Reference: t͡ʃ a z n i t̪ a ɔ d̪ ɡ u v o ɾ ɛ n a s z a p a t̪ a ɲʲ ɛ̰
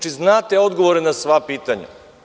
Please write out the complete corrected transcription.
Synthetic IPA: t͡ʃ i z n a t̪ ɛ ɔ d̪ ɡ o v o ɾ ɛ n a s v a p i t̪ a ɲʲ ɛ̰